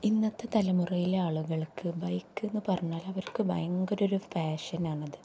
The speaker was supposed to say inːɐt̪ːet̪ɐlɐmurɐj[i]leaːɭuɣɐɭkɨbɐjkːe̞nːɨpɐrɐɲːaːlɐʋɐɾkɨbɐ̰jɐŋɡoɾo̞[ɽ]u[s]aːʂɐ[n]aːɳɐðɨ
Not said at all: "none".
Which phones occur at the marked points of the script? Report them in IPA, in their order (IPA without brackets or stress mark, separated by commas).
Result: i, ɾ, f, n